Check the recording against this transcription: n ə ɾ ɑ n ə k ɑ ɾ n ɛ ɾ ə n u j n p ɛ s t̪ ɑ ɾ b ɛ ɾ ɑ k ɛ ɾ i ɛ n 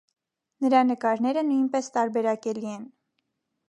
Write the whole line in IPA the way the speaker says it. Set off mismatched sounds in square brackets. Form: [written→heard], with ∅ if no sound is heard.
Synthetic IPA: n ə ɾ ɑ n ə k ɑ ɾ n ɛ ɾ ə n u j n p ɛ s t̪ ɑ ɾ b ɛ ɾ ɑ k ɛ [ɾ→l] i ɛ n